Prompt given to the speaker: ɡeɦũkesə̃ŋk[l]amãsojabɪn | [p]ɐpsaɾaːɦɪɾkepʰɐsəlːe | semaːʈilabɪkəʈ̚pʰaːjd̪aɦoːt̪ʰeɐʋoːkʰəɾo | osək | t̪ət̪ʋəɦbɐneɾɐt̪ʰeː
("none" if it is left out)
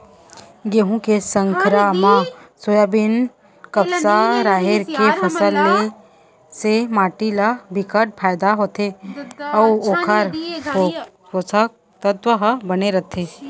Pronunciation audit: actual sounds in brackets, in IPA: ɾ, k

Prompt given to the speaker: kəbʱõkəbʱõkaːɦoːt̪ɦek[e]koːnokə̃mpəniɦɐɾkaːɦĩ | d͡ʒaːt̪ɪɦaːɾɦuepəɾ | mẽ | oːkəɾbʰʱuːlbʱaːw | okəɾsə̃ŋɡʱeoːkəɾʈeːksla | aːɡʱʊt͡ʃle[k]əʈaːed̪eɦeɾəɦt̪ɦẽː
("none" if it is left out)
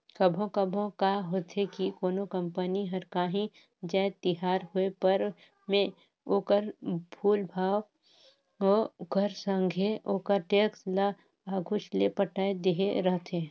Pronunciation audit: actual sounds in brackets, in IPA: i, p

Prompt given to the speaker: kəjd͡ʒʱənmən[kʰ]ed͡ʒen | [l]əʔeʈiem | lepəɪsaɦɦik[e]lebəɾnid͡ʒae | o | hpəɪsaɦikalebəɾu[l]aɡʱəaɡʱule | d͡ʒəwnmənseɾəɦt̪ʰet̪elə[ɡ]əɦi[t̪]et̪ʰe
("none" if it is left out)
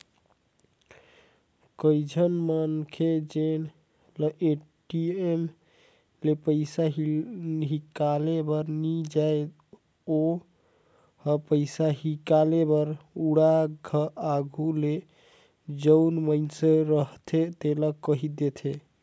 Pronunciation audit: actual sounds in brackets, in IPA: kʰ, l, a, ɽ, k, d̪

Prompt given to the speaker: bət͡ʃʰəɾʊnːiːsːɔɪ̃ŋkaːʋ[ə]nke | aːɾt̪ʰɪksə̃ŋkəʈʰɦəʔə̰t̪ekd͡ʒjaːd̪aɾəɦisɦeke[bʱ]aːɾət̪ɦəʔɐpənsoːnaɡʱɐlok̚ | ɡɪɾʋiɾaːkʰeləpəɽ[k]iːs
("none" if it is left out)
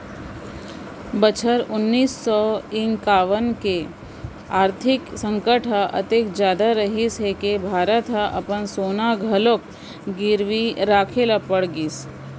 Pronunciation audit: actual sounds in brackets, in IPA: ə, bʱ, ɡ

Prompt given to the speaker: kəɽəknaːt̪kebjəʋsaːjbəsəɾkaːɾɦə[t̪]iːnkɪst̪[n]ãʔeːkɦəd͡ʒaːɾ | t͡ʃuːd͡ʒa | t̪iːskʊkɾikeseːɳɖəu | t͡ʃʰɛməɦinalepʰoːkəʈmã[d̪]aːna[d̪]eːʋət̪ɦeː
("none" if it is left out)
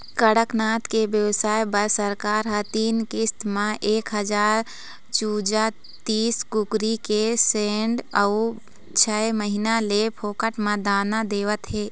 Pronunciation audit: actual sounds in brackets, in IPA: t̪, m, d̪, d̪

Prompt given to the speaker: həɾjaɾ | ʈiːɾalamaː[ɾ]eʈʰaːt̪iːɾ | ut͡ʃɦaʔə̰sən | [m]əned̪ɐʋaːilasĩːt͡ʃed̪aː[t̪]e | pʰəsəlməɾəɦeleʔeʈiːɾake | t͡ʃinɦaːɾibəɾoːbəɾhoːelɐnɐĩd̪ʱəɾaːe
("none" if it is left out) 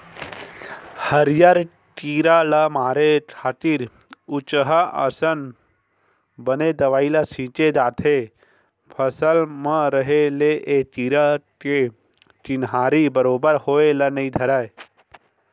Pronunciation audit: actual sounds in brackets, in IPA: ɾ, b, t̪ʰ

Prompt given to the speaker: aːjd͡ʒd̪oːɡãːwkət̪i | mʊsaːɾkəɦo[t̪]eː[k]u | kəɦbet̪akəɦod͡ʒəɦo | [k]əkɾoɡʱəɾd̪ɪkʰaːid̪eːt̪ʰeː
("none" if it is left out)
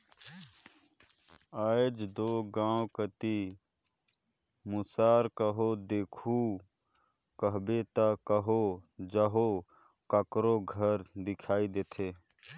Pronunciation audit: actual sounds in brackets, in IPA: d̪, kʰ, k

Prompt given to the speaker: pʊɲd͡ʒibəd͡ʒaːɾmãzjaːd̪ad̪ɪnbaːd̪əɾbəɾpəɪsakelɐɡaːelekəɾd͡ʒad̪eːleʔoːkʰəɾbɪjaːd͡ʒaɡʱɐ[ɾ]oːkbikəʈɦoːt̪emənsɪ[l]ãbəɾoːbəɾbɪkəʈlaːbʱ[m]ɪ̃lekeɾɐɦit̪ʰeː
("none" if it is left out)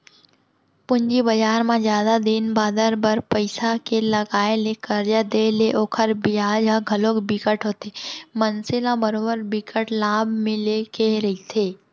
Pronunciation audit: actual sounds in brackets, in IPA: l, l, m

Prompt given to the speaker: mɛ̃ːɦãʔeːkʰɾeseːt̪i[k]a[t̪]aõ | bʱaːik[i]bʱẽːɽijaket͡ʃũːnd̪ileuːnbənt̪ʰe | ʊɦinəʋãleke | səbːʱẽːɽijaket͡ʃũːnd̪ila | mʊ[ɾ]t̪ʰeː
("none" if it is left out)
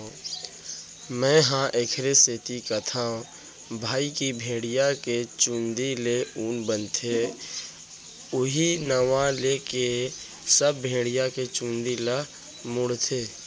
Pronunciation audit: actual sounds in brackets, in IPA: k, t̪ʰ, i, ɽ

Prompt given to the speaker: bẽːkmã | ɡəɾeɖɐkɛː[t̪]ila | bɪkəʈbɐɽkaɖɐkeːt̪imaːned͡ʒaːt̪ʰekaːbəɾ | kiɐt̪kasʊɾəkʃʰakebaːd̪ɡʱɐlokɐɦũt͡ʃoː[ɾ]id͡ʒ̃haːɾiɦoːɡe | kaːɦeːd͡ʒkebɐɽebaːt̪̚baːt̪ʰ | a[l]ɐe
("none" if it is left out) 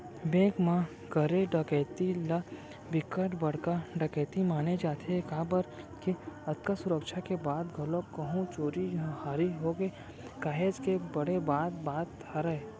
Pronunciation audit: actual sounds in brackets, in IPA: t̪, ɾ, ɾ

